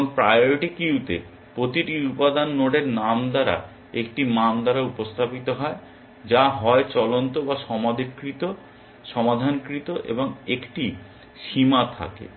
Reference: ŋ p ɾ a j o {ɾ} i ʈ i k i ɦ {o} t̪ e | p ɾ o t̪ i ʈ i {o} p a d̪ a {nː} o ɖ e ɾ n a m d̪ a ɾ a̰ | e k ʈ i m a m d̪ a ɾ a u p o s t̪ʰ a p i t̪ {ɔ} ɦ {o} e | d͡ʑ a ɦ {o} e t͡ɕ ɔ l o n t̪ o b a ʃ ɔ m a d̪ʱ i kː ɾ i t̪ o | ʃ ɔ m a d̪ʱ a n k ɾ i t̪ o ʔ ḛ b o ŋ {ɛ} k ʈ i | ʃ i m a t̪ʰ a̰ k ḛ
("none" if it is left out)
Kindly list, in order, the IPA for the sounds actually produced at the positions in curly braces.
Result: ɾ, u, u, nː, o, ɔ, ɔ, e

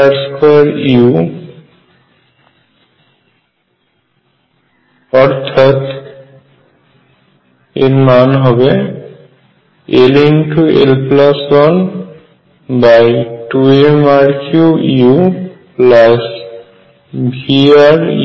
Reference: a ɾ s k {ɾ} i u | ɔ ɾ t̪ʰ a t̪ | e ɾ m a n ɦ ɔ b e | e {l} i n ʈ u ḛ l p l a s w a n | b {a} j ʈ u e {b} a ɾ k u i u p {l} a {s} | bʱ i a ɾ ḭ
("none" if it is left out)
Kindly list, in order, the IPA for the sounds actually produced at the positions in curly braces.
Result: ɾ, l, a, m, l, s

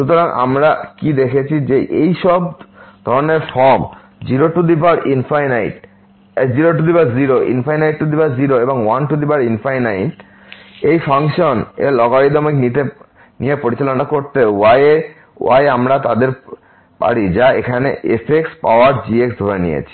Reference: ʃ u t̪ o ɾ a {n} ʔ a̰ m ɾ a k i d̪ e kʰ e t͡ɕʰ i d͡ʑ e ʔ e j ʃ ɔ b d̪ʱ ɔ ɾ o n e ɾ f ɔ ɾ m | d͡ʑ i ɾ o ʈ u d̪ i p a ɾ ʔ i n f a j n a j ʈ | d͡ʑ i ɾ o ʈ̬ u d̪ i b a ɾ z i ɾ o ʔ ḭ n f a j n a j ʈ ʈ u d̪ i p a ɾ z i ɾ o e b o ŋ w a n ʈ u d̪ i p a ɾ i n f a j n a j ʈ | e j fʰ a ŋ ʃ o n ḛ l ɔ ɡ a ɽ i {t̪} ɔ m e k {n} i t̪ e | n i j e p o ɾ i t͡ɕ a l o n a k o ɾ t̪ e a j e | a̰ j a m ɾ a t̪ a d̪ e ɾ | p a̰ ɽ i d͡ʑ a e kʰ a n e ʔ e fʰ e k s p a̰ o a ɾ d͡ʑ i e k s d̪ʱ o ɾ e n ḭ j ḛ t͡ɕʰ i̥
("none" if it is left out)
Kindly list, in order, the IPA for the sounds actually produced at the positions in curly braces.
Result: ŋ, d̪, n

